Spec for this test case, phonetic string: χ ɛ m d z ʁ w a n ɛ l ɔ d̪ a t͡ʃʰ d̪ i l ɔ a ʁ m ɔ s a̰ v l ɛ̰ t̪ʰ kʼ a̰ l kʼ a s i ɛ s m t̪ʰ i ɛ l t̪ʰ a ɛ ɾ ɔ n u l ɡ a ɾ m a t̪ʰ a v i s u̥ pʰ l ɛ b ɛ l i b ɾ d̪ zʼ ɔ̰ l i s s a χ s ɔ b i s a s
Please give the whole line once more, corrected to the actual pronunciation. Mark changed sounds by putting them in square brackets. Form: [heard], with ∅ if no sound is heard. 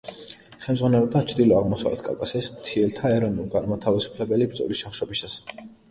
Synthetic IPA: χ ɛ m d z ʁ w a n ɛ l ɔ d̪ a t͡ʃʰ d̪ i l ɔ a ʁ m ɔ s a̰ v l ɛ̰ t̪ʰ kʼ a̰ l kʼ a s i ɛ s m t̪ʰ i ɛ l t̪ʰ a ɛ ɾ ɔ n u l ɡ a ɾ m a t̪ʰ a v i s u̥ pʰ l ɛ b ɛ l i b ɾ d̪ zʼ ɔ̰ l i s [ʃ] a χ [ʃ] ɔ b i s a s